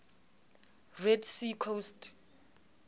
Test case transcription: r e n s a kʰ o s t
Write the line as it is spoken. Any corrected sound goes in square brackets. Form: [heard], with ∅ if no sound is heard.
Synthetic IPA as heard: r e [d] s [i] kʰ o s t